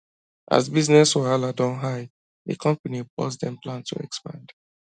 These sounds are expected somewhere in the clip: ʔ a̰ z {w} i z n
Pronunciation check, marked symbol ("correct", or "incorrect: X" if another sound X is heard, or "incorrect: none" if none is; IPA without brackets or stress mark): incorrect: b